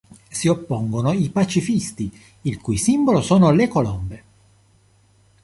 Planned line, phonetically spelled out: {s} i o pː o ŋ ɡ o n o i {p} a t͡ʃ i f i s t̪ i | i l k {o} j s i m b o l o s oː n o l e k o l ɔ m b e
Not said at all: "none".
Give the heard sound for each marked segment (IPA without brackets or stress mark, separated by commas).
s, p, u